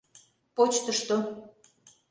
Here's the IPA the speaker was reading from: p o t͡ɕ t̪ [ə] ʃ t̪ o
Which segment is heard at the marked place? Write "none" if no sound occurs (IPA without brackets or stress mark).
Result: ə